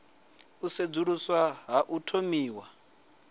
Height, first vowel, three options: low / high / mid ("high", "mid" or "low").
high